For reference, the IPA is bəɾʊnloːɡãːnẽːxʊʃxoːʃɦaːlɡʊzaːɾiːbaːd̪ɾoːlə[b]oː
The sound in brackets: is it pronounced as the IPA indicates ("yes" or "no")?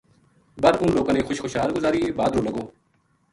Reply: no